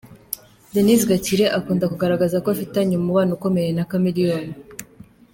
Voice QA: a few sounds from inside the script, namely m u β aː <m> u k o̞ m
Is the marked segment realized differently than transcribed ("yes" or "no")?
yes